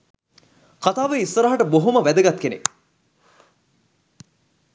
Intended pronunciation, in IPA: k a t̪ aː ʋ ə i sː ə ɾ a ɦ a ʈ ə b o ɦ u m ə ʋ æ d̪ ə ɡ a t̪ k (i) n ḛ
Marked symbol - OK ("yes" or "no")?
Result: no